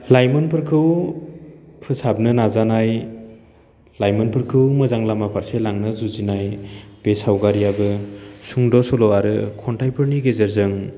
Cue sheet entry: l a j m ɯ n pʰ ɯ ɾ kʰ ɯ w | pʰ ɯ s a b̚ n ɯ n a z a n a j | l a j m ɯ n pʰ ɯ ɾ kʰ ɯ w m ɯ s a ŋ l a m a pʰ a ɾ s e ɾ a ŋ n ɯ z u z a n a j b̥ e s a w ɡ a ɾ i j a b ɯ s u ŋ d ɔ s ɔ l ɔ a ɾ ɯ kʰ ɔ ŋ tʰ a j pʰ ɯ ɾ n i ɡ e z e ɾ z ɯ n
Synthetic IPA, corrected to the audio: l a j m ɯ n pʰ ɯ ɾ kʰ ɯ w | pʰ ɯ s a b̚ n ɯ n a z a n a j | l a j m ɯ n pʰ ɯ ɾ kʰ ɯ w m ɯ z a ŋ l a m a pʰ a ɾ s e l a ŋ n ɯ z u z i n a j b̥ e s a w ɡ a ɾ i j a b ɯ s u ŋ d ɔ s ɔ l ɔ a ɾ ɯ kʰ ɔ n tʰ a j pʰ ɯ ɾ n i ɡ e z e ɾ z ɯ ŋ

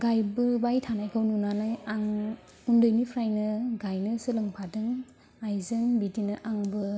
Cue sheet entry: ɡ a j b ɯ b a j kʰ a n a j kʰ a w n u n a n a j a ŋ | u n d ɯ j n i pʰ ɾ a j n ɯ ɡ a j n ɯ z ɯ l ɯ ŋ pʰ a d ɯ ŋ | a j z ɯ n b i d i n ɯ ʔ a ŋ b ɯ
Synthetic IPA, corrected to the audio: ɡ a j b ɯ b a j tʰ a n a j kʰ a w n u n a n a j a ŋ | u n d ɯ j n i pʰ ɾ a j n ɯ ɡ a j n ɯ s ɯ l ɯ ŋ pʰ a d ɯ ŋ | a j z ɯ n b i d i n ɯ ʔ a ŋ b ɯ

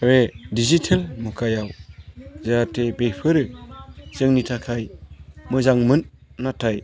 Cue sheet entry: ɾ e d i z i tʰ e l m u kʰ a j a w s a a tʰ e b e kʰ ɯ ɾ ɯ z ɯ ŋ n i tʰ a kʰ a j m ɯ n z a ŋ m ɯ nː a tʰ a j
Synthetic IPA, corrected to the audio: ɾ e d i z i tʰ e l m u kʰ a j a w z a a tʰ e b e pʰ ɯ ɾ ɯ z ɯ ŋ n i tʰ a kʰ a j m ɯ z a ŋ m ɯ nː a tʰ a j

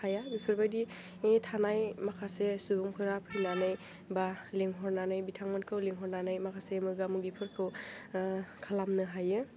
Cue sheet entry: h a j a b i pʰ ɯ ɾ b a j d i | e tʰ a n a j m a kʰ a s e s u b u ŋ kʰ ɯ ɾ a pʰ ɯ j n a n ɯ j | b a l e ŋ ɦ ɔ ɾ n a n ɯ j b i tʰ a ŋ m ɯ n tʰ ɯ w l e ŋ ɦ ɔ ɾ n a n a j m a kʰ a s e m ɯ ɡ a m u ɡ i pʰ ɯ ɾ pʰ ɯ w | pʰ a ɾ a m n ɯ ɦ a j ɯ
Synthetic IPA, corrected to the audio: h a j a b i pʰ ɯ ɾ b a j d i | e tʰ a n a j m a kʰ a s e s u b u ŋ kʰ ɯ ɾ a pʰ ɯ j n a n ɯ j | b a l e ŋ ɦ ɔ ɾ n a n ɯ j b i tʰ a ŋ m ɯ n kʰ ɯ w l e ŋ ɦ ɔ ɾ n a n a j m a kʰ a s e m ɯ ɡ a m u ɡ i pʰ ɯ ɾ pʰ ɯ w | kʰ a l a m n ɯ ɦ a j ɯ

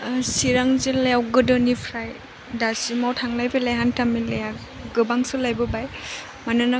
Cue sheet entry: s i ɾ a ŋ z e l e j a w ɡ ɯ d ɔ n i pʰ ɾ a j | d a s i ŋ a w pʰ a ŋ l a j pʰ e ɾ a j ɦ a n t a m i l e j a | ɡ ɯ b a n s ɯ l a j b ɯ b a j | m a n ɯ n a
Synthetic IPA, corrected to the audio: s i ɾ a ŋ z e l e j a w ɡ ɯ d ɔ n i pʰ ɾ a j | d a s i m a w tʰ a ŋ l a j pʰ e l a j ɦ a n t a m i l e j a | ɡ ɯ b a ŋ s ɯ l a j b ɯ b a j | m a n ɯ n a

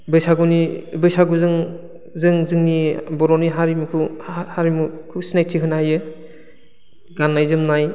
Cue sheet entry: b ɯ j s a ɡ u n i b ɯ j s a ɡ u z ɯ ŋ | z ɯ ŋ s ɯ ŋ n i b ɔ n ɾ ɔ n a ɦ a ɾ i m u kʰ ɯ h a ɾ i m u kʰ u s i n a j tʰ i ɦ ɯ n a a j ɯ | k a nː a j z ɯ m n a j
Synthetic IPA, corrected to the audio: b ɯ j s a ɡ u n i b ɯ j s a ɡ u z ɯ ŋ | z ɯ ŋ z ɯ ŋ n i b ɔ ɾ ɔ n i ɦ a ɾ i m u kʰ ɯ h a ɾ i m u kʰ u s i n a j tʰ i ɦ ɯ n a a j ɯ | ɡ a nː a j z ɯ m n a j

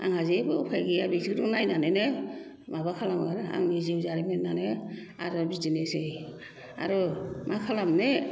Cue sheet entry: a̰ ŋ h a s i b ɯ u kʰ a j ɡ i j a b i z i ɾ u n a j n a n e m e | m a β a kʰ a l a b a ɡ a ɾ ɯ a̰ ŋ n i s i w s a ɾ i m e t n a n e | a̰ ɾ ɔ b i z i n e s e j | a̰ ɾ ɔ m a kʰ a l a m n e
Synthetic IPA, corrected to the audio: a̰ ŋ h a z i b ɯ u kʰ a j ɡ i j a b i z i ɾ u n a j n a n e n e | m a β a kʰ a l a m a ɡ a ɾ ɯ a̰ ŋ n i z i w z a ɾ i m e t n a n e | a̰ ɾ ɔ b i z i n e s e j | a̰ ɾ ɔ m a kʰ a l a m n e

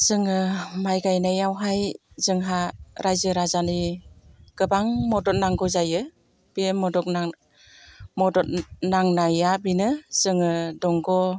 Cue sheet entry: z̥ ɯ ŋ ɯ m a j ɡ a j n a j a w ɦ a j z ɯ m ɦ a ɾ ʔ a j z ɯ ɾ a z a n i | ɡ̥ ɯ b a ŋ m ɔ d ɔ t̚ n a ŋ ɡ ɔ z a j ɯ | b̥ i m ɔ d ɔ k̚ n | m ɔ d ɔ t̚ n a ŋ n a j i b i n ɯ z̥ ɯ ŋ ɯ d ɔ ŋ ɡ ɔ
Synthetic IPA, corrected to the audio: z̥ ɯ ŋ ɯ m a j ɡ a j n a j a w ɦ a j z ɯ ŋ ɦ a ɾ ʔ a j z ɯ ɾ a z a n i | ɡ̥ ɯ b a ŋ m ɔ d ɔ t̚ n a ŋ ɡ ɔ z a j ɯ | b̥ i m ɔ d ɔ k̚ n | m ɔ d ɔ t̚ n a ŋ n a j a b i n ɯ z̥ ɯ ŋ ɯ d ɔ ŋ ɡ ɔ

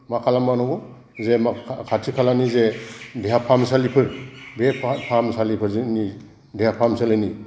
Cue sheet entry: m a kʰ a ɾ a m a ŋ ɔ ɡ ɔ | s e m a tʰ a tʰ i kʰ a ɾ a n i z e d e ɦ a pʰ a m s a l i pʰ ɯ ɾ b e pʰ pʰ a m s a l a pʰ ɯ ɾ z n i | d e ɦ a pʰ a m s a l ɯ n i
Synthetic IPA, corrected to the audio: m a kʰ a l a m a n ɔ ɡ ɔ | z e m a kʰ a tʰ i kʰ a l a n i z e d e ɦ a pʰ a m s a l i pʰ ɯ ɾ b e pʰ pʰ a m s a l i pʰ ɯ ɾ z n i | d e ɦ a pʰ a m s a l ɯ n i

